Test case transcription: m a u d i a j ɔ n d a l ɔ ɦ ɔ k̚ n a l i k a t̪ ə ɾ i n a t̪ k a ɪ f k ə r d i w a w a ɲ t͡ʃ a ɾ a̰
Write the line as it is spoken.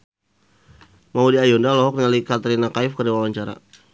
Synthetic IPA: m a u d i a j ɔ n d a l ɔ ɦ ɔ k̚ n a l i k a t̪ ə ɾ i n a k a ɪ f k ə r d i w a w a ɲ t͡ʃ a ɾ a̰

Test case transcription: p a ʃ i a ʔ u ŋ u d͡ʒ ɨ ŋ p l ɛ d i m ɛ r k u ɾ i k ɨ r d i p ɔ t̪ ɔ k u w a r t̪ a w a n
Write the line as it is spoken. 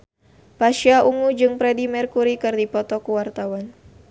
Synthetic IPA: p a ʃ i a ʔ u ŋ u d͡ʒ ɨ ŋ p ɾ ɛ d i m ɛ r k u ɾ i k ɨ r d i p ɔ t̪ ɔ k u w a r t̪ a w a n

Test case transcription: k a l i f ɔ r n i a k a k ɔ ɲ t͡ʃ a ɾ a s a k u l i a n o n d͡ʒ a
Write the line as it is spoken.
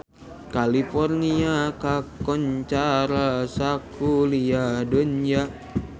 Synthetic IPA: k a l i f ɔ r n i a k a k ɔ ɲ t͡ʃ a ɾ a s a k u l i a d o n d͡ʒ a

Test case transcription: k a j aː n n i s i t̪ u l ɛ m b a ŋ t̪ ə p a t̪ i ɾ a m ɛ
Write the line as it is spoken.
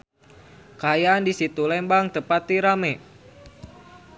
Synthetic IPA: k a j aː n d i s i t̪ u l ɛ m b a ŋ t̪ ə p a t̪ i ɾ a m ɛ

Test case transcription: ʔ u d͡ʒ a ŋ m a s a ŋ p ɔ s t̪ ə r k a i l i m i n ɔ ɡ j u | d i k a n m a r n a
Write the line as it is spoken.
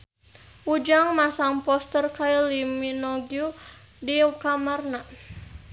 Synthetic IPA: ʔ u d͡ʒ a ŋ m a s a ŋ p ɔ s t̪ ə r k a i l i m i n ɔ ɡ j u | d i k a m a r n a

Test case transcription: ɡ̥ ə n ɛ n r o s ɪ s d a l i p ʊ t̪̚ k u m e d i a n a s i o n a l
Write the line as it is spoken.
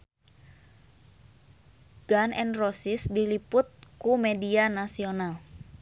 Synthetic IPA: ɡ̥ a n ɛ n r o s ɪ s d i l i p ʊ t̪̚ k u m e d i a n a s i o n a l

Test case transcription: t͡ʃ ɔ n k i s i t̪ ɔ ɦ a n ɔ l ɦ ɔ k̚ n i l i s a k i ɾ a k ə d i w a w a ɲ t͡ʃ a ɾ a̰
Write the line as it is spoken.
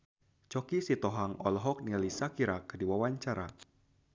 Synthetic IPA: t͡ʃ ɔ k i s i t̪ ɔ ɦ a ŋ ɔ l ɦ ɔ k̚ n i l i s a k i ɾ a k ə d i w a w a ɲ t͡ʃ a ɾ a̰

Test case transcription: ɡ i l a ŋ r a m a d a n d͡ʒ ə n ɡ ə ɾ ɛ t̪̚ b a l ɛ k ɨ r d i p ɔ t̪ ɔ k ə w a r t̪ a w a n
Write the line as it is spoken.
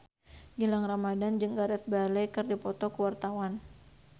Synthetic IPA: ɡ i l a ŋ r a m a d a n d͡ʒ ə ŋ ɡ a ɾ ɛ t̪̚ b a l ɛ k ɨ r d i p ɔ t̪ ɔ k ə w a r t̪ a w a n

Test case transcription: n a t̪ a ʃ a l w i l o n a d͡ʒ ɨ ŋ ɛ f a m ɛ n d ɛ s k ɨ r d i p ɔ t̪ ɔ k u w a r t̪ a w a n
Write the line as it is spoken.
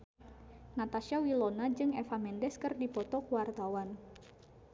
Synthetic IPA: n a t̪ a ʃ a w i l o n a d͡ʒ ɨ ŋ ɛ f a m ɛ n d ɛ s k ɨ r d i p ɔ t̪ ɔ k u w a r t̪ a w a n

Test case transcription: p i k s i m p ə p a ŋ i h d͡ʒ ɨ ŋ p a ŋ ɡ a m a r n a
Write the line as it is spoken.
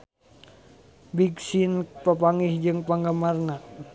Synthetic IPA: b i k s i n p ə p a ŋ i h d͡ʒ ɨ ŋ p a ŋ ɡ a m a r n a

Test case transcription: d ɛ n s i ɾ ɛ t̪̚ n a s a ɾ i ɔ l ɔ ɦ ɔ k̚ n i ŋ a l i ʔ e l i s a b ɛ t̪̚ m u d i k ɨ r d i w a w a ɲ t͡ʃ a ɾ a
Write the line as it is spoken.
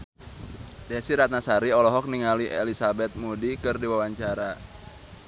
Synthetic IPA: d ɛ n s i ɾ a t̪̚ n a s a ɾ i ɔ l ɔ ɦ ɔ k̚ n i ŋ a l i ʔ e l i s a b ɛ t̪̚ m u d i k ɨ r d i w a w a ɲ t͡ʃ a ɾ a

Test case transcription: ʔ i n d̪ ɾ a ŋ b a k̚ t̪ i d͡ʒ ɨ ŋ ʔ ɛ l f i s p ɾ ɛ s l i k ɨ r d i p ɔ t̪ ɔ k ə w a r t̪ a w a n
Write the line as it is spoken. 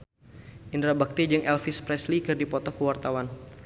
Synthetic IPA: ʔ i n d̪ ɾ a b a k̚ t̪ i d͡ʒ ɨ ŋ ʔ ɛ l f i s p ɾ ɛ s l i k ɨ r d i p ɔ t̪ ɔ k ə w a r t̪ a w a n

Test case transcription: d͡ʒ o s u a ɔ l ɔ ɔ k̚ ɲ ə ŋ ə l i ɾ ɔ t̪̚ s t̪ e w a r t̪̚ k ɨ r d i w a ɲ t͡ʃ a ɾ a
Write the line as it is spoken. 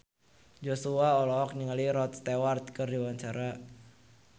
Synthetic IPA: d͡ʒ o s u a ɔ l ɔ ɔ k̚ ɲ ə ŋ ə l i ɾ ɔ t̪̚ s t̪ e w a r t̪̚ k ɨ r d i w a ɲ t͡ʃ a ɾ a

